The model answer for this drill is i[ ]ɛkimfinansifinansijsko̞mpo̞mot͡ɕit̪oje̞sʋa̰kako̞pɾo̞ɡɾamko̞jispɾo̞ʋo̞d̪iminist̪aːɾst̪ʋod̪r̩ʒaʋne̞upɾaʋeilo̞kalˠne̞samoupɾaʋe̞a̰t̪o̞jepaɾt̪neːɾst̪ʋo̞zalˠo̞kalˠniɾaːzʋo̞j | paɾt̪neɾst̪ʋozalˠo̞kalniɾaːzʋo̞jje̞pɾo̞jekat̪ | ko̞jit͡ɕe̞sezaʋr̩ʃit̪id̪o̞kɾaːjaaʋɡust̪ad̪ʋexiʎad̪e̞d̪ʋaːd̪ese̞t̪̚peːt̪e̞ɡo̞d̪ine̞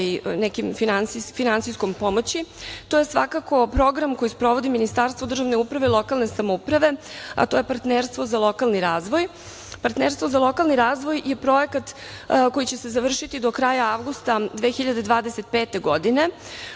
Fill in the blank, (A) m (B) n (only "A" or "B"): B